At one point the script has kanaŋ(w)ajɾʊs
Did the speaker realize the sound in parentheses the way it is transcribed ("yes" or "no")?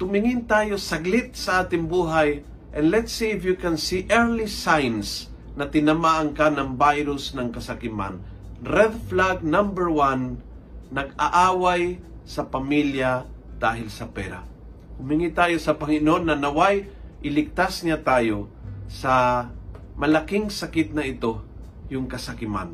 no